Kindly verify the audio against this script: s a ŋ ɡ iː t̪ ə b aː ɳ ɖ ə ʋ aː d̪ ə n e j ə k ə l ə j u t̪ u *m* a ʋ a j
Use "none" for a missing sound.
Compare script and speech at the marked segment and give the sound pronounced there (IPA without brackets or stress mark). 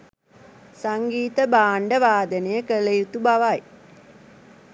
b